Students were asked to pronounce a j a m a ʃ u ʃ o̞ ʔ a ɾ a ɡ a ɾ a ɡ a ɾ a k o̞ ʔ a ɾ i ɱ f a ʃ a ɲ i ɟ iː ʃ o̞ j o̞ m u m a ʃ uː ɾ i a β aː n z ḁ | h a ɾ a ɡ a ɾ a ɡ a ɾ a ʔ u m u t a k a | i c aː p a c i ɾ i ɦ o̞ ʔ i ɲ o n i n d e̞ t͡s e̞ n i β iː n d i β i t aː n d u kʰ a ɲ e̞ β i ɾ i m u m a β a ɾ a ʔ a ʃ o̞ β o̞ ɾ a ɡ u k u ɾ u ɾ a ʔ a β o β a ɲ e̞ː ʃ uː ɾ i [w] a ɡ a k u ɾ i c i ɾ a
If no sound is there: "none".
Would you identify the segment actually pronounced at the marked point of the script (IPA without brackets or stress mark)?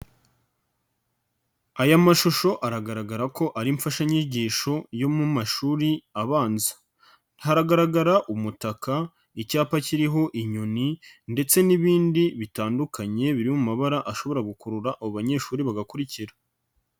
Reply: β